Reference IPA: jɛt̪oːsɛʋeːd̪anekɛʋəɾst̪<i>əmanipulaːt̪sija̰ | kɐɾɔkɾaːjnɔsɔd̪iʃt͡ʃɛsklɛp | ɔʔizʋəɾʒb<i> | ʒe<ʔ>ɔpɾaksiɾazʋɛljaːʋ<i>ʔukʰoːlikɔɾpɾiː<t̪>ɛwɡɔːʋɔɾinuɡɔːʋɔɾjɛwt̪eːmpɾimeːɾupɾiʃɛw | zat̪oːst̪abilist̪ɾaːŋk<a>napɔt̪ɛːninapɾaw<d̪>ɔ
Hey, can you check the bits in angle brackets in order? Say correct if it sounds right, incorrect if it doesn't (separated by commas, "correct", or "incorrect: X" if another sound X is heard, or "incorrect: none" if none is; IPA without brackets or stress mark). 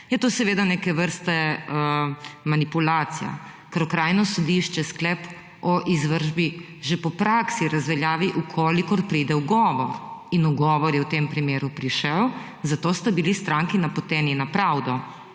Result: incorrect: ɛ, correct, incorrect: p, correct, incorrect: d̪, incorrect: i, correct